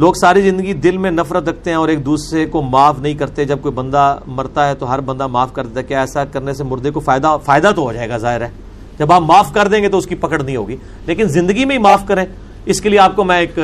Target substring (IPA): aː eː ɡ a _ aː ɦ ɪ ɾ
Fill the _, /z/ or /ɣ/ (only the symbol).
z